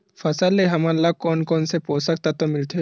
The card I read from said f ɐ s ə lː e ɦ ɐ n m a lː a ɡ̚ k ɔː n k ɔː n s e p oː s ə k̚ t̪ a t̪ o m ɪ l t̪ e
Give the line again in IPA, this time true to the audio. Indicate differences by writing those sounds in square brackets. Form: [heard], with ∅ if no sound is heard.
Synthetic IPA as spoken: f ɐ s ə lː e ɦ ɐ [∅] m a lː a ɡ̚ k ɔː n k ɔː n s e p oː s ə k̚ t̪ a t̪ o m ɪ l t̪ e

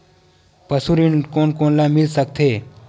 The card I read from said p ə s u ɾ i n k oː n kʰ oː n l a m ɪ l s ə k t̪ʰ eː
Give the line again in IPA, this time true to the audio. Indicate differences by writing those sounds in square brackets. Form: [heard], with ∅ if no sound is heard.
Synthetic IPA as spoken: p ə s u ɾ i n k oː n [k] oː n l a m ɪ l s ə k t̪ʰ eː

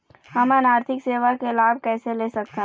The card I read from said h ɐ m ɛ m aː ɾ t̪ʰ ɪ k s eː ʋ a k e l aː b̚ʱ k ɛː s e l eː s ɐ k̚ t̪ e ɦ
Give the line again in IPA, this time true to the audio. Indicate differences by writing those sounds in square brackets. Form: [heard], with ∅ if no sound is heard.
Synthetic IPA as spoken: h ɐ m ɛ [n] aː ɾ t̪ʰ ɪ k s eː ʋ a k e l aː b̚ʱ k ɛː s e l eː s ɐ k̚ t̪ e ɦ

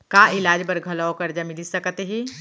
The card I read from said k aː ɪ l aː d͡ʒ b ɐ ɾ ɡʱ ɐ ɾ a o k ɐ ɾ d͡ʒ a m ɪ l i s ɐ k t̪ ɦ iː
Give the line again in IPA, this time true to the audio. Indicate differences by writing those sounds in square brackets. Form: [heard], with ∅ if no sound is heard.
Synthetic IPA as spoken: k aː ɪ l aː d͡ʒ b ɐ ɾ ɡʱ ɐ [l] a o k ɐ ɾ d͡ʒ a m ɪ l i s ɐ k t̪ ɦ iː

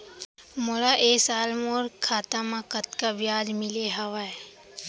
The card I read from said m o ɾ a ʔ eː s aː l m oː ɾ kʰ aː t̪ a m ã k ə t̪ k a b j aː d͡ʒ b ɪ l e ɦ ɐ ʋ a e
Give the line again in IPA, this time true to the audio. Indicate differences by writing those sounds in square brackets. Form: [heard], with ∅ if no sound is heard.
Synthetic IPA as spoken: m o ɾ a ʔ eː s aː l m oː ɾ kʰ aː t̪ a m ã k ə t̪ k a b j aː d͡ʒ [m] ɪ l e ɦ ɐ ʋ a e

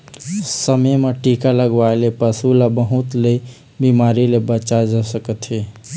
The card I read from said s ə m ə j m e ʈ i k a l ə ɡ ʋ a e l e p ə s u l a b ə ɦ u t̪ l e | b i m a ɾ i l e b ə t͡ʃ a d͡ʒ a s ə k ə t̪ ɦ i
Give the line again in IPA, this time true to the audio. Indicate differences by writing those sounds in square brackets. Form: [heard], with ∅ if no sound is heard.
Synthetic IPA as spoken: s ə m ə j m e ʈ i k a l ə ɡ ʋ a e l e p ə s u l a b ə ɦ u t̪ l e | b i m a ɾ i l e b ə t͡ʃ a d͡ʒ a s ə k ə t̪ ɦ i

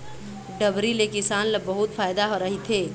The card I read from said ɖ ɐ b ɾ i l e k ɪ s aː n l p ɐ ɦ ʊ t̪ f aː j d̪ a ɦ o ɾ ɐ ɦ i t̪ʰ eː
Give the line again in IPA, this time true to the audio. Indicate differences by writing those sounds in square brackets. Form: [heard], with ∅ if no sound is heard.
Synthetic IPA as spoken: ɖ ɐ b ɾ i l e k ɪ s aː n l [b] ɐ ɦ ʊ t̪ f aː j d̪ a ɦ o ɾ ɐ ɦ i t̪ʰ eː

